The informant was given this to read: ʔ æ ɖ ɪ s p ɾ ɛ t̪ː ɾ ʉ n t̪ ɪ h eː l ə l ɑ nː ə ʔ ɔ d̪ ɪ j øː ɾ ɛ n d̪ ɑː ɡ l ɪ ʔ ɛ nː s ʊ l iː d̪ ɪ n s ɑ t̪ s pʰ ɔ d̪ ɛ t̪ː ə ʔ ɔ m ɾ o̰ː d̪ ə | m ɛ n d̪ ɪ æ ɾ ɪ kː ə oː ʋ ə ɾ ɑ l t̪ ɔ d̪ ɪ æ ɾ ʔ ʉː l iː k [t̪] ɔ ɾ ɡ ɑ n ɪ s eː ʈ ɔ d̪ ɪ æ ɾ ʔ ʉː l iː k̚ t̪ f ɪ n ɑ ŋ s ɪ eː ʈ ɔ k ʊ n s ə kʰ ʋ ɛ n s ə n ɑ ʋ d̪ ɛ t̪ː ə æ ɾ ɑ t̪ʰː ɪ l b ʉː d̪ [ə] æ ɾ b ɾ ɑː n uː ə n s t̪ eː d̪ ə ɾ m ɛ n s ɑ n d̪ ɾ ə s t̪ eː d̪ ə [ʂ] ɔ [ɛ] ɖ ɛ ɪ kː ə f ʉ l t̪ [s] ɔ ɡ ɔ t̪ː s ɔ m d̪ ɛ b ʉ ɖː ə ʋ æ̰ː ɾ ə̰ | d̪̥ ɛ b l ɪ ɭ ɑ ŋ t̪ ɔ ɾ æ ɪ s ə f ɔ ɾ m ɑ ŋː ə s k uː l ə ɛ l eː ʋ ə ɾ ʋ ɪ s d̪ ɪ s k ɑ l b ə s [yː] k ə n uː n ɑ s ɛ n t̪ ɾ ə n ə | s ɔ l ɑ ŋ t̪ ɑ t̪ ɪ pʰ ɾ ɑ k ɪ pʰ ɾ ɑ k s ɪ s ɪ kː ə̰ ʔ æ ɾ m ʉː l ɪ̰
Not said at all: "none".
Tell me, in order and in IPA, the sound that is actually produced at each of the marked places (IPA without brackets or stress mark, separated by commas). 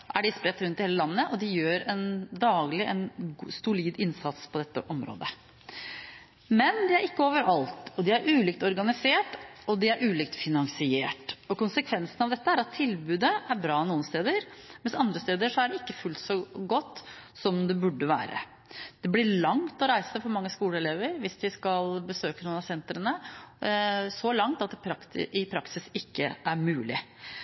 t̪, ə, ʂ, æ, s, øː